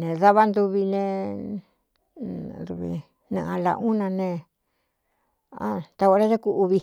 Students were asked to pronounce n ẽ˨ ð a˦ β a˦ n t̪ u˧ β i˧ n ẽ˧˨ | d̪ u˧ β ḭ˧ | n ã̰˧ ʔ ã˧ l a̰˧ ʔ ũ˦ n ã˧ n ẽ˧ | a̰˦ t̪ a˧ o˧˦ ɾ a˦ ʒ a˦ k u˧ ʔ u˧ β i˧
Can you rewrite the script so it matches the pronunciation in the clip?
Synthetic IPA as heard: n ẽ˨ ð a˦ β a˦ n d̪ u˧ β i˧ n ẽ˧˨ | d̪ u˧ β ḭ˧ | n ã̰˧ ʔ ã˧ l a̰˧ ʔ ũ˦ n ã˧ n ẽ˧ | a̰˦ t̪ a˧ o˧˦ ɾ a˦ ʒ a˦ k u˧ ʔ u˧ β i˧